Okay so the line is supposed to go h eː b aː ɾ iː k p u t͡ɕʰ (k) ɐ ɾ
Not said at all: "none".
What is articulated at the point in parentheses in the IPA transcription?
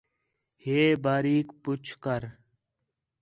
k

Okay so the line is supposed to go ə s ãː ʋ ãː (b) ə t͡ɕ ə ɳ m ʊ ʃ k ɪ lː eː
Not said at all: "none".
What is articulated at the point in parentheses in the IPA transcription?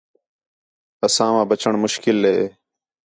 b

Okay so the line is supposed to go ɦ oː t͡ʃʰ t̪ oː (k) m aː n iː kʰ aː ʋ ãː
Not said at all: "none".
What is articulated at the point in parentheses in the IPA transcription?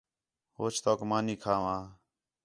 k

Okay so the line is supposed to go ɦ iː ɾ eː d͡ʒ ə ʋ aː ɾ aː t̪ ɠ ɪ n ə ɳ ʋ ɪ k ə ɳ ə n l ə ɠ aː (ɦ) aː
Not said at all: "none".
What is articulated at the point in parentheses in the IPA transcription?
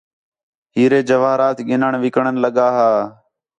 ɦ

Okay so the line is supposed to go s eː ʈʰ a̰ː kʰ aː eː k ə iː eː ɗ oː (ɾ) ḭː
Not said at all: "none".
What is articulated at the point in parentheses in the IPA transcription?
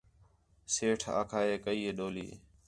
l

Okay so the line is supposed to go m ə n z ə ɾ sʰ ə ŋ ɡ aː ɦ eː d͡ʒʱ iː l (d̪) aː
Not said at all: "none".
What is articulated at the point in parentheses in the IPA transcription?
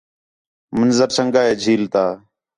t̪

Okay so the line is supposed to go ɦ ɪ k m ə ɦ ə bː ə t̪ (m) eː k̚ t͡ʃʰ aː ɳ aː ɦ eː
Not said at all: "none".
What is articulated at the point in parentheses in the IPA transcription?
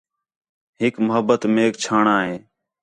m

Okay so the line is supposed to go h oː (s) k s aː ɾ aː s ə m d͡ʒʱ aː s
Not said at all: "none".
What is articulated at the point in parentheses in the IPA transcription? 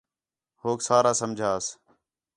none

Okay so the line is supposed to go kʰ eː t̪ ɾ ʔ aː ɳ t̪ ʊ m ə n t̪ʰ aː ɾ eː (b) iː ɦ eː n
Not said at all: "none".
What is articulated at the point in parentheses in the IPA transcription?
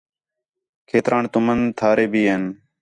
b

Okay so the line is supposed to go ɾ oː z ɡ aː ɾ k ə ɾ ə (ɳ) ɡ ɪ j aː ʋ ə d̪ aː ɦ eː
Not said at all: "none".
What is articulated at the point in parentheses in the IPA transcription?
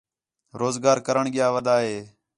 ɳ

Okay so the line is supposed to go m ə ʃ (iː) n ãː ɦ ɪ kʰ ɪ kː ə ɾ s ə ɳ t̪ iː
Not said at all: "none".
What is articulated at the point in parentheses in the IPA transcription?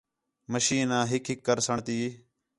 iː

